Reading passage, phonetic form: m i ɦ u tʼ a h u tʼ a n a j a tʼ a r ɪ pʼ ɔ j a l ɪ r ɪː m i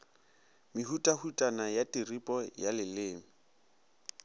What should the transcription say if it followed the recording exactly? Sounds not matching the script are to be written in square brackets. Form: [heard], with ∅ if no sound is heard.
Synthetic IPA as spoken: m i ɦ u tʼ a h u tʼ a n a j a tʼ [i] r [i] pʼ ɔ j a l ɪ [l] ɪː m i